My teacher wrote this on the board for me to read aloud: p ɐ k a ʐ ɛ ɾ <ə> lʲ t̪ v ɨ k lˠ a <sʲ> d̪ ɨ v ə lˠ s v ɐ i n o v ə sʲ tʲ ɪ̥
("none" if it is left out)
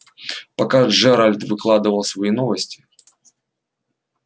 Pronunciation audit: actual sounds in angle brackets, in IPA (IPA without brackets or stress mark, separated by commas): a, none